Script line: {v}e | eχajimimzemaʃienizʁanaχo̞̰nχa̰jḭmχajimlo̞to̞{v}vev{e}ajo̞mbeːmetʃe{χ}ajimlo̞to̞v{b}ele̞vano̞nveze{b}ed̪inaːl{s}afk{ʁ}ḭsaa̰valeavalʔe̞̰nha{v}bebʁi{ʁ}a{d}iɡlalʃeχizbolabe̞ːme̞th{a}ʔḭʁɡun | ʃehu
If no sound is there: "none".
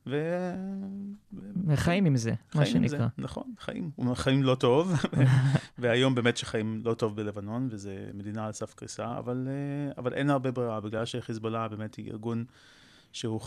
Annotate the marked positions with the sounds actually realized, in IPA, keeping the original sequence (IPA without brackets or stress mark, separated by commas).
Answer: v, v, e, χ, b, m, s, ʁ, ʁ, ʁ, b, i